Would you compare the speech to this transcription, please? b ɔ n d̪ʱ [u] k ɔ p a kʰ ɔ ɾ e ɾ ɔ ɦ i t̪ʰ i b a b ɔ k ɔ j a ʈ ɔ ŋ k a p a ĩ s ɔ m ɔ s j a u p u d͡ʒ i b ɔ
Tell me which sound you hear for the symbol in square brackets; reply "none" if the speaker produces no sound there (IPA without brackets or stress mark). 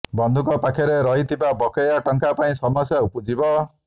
u